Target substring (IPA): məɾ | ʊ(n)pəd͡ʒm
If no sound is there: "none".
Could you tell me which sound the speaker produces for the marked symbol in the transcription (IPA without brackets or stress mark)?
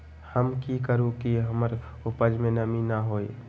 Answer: none